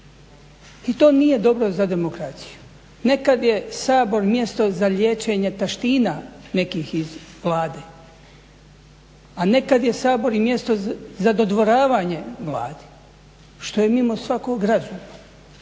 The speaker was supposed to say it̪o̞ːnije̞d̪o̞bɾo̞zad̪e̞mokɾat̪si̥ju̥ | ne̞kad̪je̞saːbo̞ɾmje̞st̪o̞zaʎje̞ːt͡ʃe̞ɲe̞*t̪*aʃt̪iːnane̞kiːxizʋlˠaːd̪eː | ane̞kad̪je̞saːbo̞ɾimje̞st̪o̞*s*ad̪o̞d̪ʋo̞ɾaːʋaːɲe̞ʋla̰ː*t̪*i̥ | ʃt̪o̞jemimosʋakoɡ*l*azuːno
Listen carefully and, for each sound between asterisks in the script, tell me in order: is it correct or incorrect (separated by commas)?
correct, incorrect, incorrect, incorrect